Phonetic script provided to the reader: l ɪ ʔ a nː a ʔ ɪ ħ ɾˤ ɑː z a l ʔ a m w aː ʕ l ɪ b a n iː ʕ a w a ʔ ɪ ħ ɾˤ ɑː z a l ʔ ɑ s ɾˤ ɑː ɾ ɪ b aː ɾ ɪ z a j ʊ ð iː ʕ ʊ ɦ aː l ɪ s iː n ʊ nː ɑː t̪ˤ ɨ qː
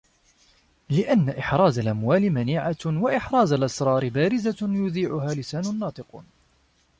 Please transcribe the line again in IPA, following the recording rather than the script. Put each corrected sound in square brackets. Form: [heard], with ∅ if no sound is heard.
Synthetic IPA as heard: l ɪ ʔ a nː a ʔ ɪ ħ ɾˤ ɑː z a l ʔ a m w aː [∅] l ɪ [m] a n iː ʕ a w a ʔ ɪ ħ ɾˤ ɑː z a l ʔ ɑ s ɾˤ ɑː ɾ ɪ b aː ɾ ɪ z a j ʊ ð iː ʕ ʊ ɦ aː l ɪ s [aː] n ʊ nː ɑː t̪ˤ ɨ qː